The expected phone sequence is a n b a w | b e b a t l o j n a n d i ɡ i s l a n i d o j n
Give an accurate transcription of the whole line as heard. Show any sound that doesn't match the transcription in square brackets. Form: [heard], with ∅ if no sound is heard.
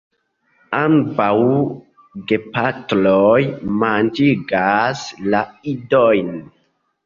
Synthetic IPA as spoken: a [m] b a w | [ɡ] e [p] a t l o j [m] a n [d͡ʒ] i ɡ [a] s l a [∅] i d o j n